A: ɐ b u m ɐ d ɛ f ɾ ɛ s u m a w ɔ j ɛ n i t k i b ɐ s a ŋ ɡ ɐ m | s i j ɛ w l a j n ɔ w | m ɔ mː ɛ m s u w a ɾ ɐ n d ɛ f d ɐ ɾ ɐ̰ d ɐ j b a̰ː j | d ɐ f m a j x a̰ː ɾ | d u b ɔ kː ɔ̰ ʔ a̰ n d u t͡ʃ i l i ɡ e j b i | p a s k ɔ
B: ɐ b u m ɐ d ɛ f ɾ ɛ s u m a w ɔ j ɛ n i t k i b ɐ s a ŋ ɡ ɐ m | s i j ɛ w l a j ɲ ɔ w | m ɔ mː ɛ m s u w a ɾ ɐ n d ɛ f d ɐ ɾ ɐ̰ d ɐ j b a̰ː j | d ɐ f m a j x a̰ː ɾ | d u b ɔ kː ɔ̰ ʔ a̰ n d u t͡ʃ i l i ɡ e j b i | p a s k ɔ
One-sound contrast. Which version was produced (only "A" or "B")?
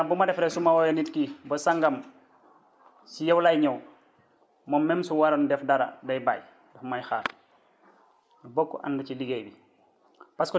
B